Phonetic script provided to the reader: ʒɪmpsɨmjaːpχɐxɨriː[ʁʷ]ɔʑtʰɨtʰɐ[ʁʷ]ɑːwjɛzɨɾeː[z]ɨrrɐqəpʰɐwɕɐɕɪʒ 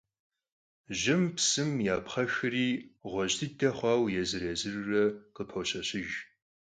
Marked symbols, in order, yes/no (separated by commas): yes, no, yes